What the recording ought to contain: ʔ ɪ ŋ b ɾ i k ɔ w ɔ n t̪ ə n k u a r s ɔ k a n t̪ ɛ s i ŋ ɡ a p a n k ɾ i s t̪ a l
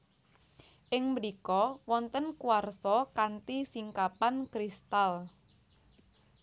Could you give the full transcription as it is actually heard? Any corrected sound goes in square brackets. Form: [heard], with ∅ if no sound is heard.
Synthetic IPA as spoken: ʔ ɪ ŋ [m] ɾ i k ɔ w ɔ n t̪ ə n k u a r s ɔ k a n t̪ [i] s i ŋ [k] a p a n k ɾ i s t̪ a l